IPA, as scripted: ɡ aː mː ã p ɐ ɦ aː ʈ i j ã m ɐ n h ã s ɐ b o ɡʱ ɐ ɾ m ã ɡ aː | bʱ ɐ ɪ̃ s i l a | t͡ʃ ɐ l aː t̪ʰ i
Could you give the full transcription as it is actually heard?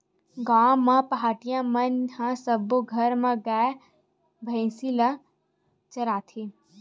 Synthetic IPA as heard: ɡ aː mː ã p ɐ ɦ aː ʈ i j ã m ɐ n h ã s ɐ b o ɡʱ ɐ ɾ m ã ɡ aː | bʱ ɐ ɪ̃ s i l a | t͡ʃ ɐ ɾ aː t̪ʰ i